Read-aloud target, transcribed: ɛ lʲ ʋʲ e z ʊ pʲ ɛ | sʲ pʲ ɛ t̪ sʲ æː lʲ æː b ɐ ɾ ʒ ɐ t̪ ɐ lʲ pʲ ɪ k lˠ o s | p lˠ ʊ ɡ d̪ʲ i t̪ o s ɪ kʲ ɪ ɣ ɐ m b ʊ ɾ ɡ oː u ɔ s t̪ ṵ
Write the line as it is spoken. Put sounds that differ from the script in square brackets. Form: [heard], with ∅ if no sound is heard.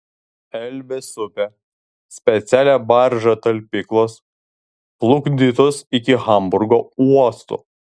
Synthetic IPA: ɛ lʲ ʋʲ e [s] ʊ pʲ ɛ | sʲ pʲ ɛ t̪ sʲ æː lʲ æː b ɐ ɾ ʒ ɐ t̪ ɐ lʲ pʲ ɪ k lˠ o s | p lˠ ʊ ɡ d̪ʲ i t̪ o s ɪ kʲ ɪ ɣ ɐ m b ʊ ɾ ɡ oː u ɔ s t̪ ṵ